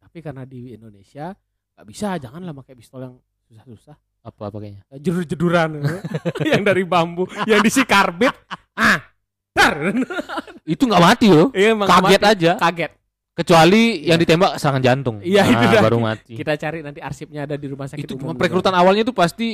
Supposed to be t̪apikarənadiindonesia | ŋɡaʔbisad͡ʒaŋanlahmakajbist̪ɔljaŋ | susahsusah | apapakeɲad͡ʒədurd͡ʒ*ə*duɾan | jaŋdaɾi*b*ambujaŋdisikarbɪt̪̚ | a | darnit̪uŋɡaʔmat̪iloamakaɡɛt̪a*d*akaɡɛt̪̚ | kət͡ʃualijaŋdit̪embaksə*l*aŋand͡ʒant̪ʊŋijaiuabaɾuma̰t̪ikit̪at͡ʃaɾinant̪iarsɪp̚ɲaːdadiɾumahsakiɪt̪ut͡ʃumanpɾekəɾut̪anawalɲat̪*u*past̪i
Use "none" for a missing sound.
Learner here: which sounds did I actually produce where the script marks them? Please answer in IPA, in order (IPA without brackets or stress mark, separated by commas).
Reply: ə, b, d͡ʒ, ɾ, u